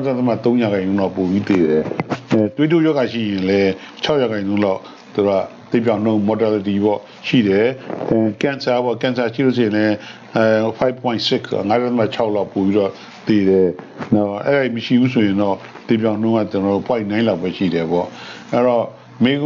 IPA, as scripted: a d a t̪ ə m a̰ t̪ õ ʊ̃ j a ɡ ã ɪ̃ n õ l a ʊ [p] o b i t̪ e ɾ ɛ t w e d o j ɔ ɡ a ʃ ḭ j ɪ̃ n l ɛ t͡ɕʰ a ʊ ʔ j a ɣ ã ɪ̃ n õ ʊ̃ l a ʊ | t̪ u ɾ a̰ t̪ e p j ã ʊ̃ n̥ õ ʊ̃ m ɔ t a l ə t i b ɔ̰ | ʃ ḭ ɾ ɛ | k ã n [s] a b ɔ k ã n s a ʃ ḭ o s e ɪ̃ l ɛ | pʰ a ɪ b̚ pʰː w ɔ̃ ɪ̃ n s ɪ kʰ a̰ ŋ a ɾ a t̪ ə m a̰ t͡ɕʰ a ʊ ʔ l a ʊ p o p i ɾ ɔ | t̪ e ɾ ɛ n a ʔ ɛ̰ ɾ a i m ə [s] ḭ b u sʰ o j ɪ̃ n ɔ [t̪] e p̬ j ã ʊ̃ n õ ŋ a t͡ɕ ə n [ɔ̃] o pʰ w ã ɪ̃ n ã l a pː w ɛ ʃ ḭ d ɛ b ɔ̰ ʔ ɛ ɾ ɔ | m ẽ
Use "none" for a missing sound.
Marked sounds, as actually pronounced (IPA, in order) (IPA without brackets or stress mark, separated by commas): p, s, ʃ, t̪, ɔ